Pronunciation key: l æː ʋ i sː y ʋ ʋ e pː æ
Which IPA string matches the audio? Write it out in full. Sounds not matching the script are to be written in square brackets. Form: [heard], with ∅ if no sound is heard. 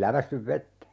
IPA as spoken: l [æ] ʋ [æ] sː y ʋ ʋ e [tː] æ

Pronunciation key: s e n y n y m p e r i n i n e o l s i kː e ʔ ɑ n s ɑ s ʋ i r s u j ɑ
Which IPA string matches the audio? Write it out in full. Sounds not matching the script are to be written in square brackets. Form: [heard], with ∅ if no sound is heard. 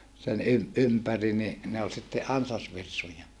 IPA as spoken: s e n y [m] y m p [æ] r i n i n e o l s i [tː] e ʔ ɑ n s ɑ s ʋ i r s u j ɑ

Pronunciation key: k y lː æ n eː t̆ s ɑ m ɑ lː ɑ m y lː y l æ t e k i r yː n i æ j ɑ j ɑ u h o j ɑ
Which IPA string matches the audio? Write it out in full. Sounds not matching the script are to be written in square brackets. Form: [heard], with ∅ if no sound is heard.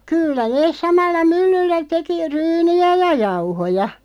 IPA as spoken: k y lː æ n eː [s̆] s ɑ m ɑ lː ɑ m y lː y [lː] æ t e k i r yː n i æ j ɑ j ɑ u h o j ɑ

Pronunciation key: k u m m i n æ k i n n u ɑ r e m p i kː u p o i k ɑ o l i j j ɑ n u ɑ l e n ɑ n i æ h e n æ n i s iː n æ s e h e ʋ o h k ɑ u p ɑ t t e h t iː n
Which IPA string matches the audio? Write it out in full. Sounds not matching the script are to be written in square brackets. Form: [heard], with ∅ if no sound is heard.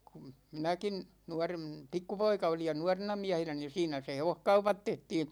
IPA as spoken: k u m m i n æ k i n n u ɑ r e m p i kː u p o i k ɑ o l i j j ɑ n u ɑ [r] e n ɑ [m] i æ h e n æ n i s iː n æ s e h e ʋ o h k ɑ u p ɑ t t e h t iː n

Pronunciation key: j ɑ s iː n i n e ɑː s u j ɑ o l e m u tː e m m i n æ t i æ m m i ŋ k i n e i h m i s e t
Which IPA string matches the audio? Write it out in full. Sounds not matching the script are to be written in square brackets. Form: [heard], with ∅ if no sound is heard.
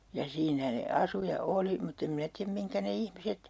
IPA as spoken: j ɑ s iː n [æ] n e [ɑ] s u j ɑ o l [i] m u tː e m m i n æ t i æ m m i ŋ k [æ] n e i h m i s e t

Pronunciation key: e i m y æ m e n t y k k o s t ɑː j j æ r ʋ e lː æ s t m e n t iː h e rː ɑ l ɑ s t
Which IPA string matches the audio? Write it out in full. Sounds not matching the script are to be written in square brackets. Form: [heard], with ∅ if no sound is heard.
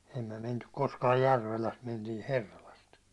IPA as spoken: e i m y æ m e n t y k k o s [k] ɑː j j æ r ʋ e [l] æ s t m e n t iː h e rː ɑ l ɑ s t

